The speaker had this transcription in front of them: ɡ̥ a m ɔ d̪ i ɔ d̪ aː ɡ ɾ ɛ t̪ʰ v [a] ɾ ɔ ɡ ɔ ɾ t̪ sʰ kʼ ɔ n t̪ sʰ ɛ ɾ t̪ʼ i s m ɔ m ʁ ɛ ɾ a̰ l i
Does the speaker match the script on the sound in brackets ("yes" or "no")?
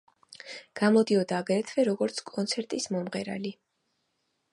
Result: no